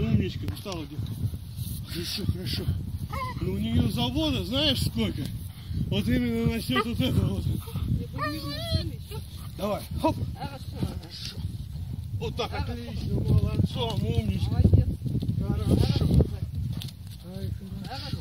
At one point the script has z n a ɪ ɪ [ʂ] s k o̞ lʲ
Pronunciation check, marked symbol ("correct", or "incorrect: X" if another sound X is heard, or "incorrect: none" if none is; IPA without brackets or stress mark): correct